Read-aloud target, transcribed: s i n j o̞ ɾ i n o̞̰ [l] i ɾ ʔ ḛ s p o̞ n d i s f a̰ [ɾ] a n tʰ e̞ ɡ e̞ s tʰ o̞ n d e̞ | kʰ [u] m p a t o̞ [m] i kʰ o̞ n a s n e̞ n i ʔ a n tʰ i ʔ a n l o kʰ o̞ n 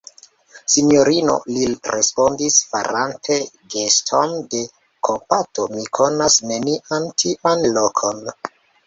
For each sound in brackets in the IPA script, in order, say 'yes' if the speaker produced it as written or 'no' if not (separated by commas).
yes, yes, no, yes